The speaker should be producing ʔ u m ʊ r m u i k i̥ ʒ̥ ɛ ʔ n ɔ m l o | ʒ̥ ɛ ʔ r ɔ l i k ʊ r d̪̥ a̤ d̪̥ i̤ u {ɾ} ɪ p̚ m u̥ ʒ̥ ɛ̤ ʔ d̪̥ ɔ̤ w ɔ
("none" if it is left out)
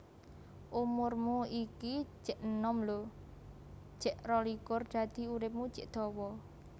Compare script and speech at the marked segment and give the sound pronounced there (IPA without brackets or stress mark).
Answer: ɾ